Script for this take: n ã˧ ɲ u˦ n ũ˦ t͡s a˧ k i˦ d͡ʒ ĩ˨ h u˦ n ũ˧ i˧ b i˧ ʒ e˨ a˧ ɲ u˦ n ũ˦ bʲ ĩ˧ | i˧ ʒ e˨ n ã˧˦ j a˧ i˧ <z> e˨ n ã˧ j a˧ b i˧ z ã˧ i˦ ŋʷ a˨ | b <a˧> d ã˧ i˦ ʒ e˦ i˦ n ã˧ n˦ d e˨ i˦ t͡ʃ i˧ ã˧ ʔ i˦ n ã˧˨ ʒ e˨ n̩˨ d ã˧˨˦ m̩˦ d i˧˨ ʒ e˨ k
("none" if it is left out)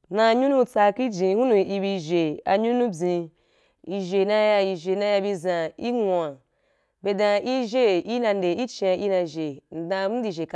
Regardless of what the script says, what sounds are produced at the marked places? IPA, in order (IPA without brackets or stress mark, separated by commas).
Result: ʒ, e˧